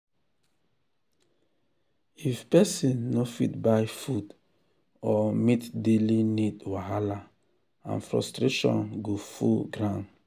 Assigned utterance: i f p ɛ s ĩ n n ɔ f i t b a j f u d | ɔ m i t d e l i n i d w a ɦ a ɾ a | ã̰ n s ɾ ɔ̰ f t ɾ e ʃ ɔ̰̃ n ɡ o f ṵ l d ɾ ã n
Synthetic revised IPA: i f p ɛ s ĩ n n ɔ f i t b a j f u d | ɔ m i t d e l i n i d w a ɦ a l a | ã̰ n f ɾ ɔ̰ s t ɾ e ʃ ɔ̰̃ n ɡ o f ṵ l ɡ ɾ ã n